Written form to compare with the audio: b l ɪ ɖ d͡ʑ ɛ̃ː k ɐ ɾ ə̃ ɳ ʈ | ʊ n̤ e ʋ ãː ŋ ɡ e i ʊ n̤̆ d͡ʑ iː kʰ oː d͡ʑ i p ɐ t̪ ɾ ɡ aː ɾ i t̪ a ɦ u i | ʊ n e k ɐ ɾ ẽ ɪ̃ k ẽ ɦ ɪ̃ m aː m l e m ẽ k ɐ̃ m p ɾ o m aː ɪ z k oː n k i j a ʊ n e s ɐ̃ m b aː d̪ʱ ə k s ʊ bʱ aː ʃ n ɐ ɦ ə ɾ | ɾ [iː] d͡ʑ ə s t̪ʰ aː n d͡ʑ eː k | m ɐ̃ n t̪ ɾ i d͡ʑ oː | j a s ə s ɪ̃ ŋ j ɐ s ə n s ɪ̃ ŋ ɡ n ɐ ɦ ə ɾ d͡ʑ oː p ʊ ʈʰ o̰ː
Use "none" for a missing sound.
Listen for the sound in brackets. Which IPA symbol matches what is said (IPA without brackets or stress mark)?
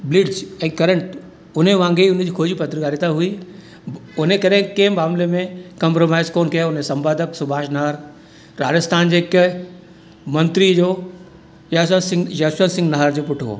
aː